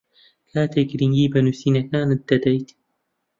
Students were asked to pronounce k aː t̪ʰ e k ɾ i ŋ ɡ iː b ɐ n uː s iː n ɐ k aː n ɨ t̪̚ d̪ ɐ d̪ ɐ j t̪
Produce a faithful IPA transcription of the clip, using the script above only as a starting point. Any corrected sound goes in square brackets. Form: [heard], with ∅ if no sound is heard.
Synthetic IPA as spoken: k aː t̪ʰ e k ɾ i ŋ ɡ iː b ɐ n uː s iː n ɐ k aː n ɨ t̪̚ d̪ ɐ d̪ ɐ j t̪